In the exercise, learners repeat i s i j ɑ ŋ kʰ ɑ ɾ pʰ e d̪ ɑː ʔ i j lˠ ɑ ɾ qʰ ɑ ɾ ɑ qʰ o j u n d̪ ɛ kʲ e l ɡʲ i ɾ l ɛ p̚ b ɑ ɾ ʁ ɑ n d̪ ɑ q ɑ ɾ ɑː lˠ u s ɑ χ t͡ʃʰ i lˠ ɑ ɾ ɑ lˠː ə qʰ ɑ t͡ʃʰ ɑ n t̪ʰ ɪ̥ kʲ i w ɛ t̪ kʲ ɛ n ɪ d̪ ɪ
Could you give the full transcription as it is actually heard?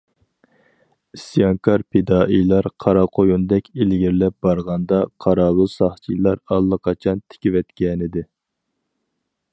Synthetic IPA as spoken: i s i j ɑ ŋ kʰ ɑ ɾ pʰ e d̪ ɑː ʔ i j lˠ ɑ ɾ qʰ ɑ ɾ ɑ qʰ o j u n d̪ ɛ kʲ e l ɡʲ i ɾ l ɛ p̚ b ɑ ɾ ʁ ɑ n d̪ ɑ qʰ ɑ ɾ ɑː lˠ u s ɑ χ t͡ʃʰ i lˠ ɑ ɾ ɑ lˠː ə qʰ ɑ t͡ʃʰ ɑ n t̪ʰ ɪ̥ kʲ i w ɛ t̪ kʲ ɛ n ɪ d̪ ɪ